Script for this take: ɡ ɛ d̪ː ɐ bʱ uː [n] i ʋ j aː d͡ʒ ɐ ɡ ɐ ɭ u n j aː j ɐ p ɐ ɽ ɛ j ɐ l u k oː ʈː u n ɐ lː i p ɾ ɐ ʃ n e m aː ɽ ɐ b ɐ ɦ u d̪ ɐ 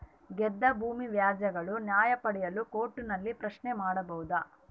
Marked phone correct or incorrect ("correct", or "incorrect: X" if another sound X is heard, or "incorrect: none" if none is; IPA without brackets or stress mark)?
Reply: incorrect: m